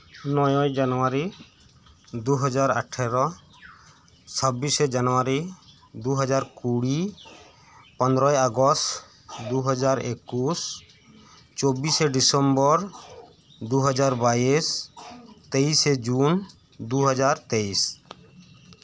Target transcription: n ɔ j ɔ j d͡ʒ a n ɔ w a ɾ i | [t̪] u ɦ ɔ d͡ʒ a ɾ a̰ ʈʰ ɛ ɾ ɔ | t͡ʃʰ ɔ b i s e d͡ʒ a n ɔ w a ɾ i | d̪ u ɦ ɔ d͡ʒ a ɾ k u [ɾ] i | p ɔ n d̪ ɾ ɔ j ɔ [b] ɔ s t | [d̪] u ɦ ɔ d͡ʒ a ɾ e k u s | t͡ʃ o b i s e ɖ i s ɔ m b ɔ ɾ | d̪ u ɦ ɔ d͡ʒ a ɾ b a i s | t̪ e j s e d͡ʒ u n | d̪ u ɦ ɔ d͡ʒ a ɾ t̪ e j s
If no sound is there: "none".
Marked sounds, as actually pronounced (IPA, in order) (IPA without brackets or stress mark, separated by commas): d̪, ɽ, ɡ, d̪